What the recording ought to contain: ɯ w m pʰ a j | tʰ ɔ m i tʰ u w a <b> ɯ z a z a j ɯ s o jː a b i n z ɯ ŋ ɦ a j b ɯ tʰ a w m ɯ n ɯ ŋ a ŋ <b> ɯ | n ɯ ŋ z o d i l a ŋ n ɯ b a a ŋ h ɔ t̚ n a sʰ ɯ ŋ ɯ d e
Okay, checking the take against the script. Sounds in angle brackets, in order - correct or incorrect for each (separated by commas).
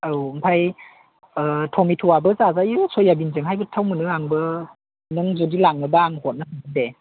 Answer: correct, correct